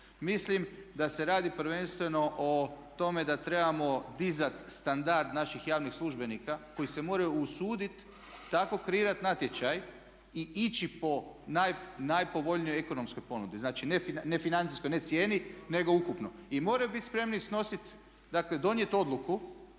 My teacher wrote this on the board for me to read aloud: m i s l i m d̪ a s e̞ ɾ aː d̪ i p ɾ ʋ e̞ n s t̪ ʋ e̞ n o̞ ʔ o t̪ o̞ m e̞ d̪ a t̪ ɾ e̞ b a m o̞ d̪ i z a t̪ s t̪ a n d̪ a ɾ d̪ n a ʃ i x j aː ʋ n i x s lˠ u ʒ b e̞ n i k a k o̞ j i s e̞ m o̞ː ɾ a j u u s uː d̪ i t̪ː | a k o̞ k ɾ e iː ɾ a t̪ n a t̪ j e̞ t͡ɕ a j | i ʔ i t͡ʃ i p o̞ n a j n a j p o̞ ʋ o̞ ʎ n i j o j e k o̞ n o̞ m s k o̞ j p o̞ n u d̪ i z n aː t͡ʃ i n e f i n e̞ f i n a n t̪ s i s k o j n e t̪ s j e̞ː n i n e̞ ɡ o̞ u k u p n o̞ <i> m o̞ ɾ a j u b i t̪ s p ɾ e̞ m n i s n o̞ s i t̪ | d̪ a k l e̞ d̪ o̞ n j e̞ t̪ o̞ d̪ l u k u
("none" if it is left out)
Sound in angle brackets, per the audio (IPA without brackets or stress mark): i